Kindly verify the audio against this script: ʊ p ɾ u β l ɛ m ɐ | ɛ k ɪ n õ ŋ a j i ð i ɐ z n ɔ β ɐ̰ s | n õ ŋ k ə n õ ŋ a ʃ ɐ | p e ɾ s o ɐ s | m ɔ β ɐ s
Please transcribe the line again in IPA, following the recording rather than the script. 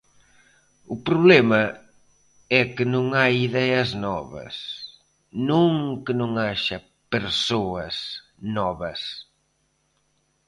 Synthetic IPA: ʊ p ɾ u β l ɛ m ɐ | ɛ k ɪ n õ ŋ a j i ð ɛ ɐ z n ɔ β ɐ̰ s | n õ ŋ k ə n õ ŋ a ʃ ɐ | p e ɾ s o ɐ s | n ɔ β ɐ s